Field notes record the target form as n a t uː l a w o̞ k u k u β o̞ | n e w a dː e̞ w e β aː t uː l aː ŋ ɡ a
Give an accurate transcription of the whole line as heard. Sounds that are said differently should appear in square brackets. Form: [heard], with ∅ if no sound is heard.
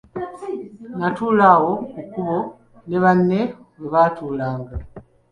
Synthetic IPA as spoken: n a t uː l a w o̞ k u k u β o̞ | n e [β] a [nː] e̞ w e β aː t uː l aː ŋ ɡ a